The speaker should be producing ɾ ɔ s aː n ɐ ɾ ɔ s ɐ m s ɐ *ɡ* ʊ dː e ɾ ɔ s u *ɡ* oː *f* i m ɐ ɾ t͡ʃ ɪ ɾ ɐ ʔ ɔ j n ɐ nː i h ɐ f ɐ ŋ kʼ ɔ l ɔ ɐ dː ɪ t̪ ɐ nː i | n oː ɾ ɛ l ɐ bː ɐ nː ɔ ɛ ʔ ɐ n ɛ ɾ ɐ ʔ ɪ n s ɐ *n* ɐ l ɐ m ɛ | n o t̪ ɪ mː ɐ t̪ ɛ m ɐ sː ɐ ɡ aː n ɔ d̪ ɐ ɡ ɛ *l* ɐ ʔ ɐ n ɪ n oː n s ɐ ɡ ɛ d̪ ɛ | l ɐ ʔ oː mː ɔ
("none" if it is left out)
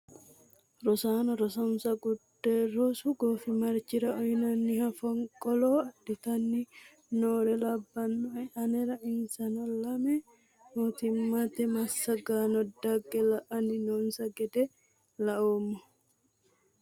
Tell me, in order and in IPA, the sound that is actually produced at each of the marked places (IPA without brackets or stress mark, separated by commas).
ɡ, ɡ, f, n, l